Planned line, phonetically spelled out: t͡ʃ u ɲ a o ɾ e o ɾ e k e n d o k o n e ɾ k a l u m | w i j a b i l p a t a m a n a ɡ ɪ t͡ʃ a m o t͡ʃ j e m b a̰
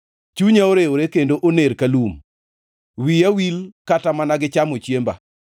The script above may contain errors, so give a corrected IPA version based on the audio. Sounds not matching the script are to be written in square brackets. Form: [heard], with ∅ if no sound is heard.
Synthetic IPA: t͡ʃ u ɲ a o ɾ e o ɾ e k e n d o [ʔ] o n e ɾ k a l u m | w i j a [w] i l [k] a t a m a n a ɡ ɪ t͡ʃ a m o t͡ʃ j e m b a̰